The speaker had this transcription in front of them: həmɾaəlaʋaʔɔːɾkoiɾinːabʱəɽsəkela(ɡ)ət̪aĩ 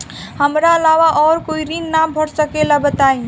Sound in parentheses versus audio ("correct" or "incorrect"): incorrect